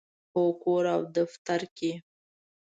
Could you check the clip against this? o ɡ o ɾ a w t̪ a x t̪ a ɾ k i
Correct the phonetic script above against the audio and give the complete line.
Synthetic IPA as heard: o k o ɾ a w d̪ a f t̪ a ɾ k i

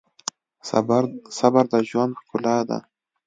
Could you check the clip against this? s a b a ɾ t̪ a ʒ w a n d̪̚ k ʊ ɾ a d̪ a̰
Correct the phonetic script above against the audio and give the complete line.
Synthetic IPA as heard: s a b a ɾ d̪ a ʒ w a n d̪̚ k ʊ l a d̪ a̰

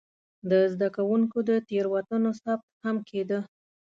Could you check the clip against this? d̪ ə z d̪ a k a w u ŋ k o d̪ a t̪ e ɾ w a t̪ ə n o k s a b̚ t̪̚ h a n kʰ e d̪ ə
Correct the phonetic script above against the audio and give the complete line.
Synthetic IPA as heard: d̪ ə z d̪ a k a w u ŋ k o d̪ ə t̪ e ɾ w a t̪ ə n o s a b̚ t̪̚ h a m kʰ e d̪ ə

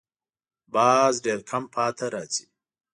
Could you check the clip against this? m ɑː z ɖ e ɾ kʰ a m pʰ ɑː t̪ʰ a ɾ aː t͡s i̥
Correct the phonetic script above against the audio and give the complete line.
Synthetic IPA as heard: b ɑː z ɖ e ɾ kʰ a m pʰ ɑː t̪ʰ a ɾ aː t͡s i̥

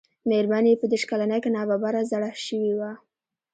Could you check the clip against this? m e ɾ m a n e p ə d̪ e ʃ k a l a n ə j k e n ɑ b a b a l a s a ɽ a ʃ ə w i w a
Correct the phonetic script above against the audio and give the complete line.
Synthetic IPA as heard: m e ɾ m a n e p ə d̪ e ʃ k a l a n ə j k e n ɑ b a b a ɾ a z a ɽ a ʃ ə w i w a

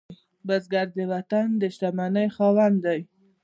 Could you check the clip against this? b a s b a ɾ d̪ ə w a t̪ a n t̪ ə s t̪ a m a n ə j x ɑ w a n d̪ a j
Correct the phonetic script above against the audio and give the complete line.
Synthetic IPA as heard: b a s ɡ a ɾ d̪ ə w a t̪ a n d̪ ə ʃ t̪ a m a n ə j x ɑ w a n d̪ a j

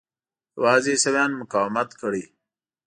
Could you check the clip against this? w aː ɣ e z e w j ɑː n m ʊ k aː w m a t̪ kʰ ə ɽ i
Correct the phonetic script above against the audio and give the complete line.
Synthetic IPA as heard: w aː z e s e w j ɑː n m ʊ k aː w m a t̪ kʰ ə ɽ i

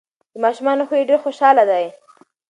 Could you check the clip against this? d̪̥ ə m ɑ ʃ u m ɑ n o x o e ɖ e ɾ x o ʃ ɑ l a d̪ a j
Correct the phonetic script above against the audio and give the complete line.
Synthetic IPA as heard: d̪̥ ə m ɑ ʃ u m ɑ n o x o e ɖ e ɾ x o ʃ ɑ l a d̪ a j

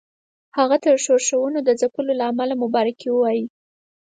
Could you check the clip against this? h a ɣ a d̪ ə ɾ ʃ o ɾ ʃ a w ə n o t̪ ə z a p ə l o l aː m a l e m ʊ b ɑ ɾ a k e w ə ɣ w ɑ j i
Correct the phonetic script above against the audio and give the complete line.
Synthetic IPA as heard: h a ɣ a t̪ ə ɾ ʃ o ɾ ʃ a w ə n o d̪ ə z a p ə l o l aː m a l a m ʊ b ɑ ɾ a k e w ə w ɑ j i

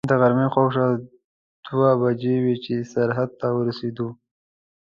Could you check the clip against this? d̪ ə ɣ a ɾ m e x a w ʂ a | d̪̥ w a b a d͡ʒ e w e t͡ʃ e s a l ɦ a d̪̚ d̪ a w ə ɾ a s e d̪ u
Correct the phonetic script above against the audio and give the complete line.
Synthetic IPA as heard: d̪ ə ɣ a ɾ m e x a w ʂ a | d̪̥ w a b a d͡ʒ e w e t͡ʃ e s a ɾ ɦ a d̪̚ t̪ a w ə ɾ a s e d̪ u

